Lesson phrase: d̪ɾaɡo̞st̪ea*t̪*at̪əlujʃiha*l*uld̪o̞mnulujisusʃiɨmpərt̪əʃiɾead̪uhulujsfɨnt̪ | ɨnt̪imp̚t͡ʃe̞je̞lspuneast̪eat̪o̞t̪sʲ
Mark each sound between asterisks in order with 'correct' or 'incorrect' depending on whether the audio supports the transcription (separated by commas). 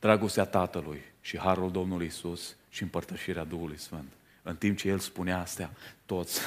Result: correct, incorrect